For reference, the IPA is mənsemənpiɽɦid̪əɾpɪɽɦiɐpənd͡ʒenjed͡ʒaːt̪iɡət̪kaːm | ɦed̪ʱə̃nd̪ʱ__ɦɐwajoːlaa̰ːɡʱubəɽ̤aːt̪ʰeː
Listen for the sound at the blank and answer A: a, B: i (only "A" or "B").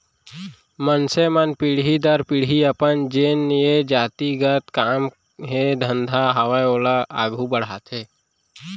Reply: A